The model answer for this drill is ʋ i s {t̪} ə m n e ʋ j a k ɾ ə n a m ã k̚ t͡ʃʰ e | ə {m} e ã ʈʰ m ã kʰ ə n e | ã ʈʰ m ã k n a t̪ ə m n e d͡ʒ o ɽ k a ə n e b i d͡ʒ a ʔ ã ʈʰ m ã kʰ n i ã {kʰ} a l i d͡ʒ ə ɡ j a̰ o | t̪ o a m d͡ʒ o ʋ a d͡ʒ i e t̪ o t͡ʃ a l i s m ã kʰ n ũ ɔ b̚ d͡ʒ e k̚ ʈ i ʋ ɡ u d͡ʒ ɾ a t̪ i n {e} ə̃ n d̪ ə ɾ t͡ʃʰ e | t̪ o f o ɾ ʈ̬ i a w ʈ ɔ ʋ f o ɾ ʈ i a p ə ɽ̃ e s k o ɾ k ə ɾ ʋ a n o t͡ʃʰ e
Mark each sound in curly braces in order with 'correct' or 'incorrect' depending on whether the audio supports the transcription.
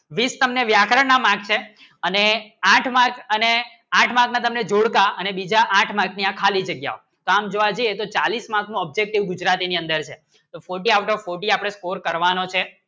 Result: correct, incorrect, correct, incorrect

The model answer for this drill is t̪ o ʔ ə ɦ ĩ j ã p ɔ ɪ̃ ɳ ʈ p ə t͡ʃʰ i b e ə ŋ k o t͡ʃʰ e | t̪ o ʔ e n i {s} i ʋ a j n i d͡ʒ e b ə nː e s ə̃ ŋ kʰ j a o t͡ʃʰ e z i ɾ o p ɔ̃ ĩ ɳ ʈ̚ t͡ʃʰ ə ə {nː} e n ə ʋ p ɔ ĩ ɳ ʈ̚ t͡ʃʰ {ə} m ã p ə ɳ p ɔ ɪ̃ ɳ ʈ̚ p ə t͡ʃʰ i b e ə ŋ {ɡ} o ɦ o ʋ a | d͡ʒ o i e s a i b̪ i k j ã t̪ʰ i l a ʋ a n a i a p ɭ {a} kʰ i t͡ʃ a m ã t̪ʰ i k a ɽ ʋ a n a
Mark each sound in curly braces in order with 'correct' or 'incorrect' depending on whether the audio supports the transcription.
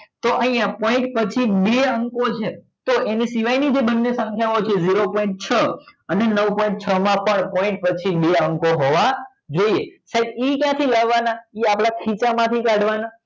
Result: correct, incorrect, correct, incorrect, correct

